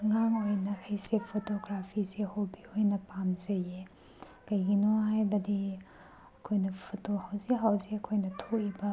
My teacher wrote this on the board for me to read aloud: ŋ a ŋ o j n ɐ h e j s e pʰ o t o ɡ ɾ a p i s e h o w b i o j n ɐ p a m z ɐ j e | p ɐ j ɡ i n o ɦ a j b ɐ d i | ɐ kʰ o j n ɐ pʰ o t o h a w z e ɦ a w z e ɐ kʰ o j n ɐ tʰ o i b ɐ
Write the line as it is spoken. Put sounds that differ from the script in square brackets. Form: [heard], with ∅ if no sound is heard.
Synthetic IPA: ŋ a ŋ o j n ɐ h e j s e pʰ o t o ɡ ɾ a [pʰ] i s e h o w b i o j n ɐ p a m z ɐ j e | [k] ɐ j ɡ i n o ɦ a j b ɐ d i | ɐ kʰ o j n ɐ pʰ o t o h a w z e ɦ a w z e ɐ kʰ o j n ɐ tʰ o i b ɐ